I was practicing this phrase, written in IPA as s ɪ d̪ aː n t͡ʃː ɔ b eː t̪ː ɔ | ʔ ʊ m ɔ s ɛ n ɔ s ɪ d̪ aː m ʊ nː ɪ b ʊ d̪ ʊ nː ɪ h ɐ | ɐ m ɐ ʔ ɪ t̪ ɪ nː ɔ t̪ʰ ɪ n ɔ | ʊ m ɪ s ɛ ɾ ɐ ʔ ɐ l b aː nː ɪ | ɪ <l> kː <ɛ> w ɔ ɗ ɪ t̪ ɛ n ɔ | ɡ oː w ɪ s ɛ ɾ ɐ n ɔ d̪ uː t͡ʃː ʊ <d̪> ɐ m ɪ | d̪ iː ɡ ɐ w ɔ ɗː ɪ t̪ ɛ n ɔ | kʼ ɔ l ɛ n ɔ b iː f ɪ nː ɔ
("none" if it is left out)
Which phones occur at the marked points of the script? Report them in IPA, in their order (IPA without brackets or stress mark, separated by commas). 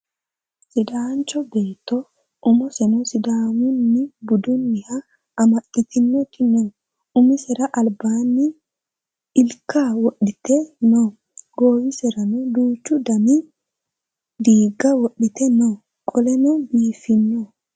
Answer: l, a, d̪